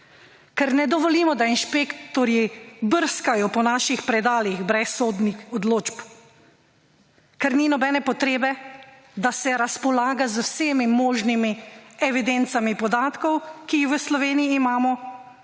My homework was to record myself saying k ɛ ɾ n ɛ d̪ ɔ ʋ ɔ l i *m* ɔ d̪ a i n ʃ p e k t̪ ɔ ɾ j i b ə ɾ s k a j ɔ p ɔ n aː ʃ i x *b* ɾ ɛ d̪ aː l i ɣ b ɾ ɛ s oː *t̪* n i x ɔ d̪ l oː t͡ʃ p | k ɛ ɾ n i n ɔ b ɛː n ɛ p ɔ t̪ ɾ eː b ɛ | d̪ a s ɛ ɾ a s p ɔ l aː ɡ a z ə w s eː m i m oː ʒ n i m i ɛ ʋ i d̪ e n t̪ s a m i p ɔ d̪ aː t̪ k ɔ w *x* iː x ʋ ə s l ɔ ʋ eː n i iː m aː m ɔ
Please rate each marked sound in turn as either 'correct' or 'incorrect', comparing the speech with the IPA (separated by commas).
correct, incorrect, incorrect, incorrect